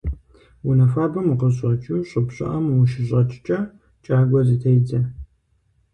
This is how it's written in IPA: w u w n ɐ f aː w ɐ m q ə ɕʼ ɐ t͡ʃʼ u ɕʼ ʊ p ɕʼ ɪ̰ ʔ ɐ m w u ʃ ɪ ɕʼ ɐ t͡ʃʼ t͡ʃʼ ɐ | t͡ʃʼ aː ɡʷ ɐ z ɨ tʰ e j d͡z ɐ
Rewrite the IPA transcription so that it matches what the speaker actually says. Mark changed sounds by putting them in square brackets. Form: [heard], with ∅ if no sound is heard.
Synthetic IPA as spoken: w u [∅] n ɐ f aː [b] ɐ m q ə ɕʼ ɐ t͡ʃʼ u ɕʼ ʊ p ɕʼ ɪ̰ ʔ ɐ m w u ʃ ɪ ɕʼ ɐ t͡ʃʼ t͡ʃʼ ɐ | t͡ʃʼ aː ɡʷ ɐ z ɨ tʰ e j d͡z ɐ